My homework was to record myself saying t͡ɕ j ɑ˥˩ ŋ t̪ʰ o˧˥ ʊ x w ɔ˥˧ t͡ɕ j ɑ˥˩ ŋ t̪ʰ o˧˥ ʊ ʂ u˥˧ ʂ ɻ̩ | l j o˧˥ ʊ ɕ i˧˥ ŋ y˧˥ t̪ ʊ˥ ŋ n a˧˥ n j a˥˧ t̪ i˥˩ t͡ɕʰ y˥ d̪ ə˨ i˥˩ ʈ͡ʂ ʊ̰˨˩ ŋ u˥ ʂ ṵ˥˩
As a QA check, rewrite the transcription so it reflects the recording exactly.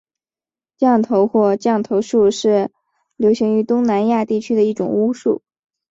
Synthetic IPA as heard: t͡ɕ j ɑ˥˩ ŋ t̪ʰ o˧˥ ʊ x w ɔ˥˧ t͡ɕ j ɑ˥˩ ŋ t̪ʰ o˧˥ ʊ ʂ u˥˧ ʂ ɻ̩ | l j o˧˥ ʊ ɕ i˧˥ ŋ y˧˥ t̪ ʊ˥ ŋ n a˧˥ n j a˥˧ t̪ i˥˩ t͡ɕʰ y˥ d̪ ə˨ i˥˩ ʈ͡ʂ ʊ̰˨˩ ŋ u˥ ʂ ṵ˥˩